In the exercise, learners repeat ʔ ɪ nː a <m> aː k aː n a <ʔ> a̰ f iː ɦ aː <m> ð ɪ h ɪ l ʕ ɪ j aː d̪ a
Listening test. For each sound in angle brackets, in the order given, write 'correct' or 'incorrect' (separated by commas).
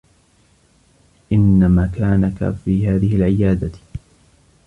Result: correct, incorrect, incorrect